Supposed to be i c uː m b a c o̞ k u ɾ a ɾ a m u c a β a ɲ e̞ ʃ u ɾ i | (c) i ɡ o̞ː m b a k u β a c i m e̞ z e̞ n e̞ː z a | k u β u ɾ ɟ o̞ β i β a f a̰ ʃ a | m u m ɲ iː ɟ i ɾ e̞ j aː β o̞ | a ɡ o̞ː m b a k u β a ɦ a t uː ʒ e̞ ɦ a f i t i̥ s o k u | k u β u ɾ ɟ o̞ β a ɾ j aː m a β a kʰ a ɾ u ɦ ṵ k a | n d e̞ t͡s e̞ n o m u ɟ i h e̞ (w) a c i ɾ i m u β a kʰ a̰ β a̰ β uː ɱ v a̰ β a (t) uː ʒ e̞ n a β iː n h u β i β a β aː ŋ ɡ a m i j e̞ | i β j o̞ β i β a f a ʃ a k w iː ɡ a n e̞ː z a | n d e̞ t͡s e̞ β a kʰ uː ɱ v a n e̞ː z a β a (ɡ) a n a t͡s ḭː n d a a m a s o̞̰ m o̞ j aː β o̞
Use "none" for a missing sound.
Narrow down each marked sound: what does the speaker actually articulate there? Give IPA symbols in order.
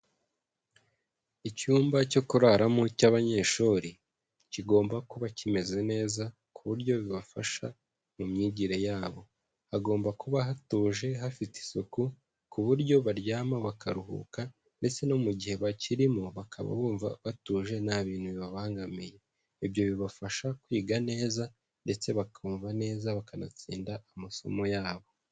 c, β, t, k

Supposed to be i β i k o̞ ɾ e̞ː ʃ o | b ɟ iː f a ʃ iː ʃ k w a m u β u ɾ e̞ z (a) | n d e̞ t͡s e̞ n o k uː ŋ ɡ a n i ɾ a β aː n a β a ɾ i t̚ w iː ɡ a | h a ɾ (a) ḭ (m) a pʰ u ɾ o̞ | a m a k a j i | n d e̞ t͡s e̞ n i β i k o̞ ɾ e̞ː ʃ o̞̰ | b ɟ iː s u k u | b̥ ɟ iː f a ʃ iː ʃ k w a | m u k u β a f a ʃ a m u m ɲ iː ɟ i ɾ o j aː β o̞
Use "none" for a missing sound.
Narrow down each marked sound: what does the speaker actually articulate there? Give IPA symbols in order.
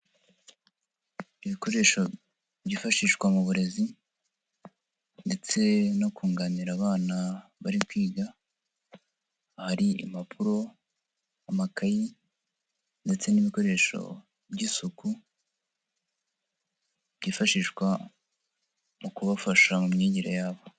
i, i, m

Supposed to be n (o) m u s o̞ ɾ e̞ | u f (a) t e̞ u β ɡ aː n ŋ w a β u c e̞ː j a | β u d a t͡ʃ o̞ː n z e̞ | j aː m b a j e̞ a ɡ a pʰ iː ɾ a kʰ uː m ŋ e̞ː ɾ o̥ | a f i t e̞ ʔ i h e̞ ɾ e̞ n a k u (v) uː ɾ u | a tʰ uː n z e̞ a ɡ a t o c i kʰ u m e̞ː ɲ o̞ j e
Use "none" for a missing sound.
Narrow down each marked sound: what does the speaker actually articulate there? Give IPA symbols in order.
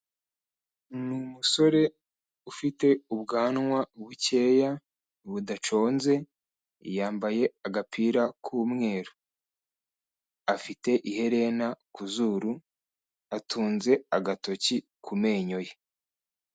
u, i, z

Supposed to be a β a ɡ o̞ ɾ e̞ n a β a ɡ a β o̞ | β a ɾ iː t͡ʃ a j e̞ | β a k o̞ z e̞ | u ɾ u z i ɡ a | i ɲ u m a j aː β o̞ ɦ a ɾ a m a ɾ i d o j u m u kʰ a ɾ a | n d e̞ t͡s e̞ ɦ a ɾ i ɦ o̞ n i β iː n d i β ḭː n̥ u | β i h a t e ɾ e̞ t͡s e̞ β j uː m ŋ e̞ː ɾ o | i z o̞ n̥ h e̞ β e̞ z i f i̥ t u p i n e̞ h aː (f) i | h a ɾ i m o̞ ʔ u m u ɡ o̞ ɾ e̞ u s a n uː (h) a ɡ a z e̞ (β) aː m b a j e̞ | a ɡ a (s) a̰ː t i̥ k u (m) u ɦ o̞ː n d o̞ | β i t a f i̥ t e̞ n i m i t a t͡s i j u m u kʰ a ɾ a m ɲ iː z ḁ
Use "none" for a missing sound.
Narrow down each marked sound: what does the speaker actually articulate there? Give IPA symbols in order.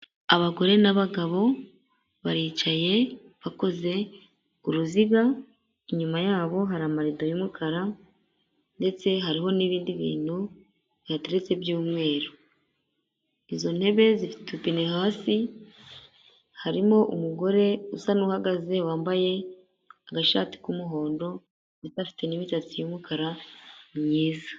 s, h, w, ʃ, m

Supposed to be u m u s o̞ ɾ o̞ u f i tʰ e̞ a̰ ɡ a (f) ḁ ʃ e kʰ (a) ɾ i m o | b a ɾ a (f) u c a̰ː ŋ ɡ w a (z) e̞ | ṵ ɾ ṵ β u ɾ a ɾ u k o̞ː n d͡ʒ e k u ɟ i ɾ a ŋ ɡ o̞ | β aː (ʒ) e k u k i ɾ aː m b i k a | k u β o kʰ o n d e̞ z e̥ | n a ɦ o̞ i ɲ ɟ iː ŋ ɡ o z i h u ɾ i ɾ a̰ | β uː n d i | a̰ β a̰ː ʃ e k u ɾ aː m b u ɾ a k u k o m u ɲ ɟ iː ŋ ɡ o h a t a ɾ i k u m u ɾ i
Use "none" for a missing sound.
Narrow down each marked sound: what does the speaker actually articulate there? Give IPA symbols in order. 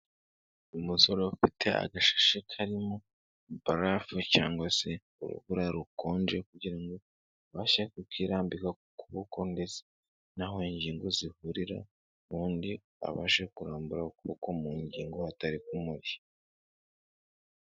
ʃ, a, f, s, ʃ

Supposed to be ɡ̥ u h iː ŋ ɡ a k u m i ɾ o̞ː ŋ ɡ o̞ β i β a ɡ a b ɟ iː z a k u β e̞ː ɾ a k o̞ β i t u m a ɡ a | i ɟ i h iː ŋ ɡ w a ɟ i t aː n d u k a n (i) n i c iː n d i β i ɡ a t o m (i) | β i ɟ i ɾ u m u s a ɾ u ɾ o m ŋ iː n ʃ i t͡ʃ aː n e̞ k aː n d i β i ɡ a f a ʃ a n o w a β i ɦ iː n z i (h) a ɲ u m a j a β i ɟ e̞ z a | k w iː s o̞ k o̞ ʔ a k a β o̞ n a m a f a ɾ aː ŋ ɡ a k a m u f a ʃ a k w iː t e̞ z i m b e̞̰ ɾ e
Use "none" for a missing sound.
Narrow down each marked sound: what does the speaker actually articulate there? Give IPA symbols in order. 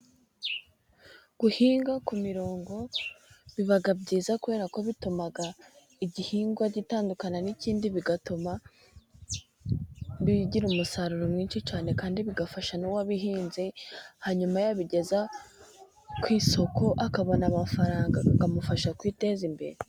a, a, h

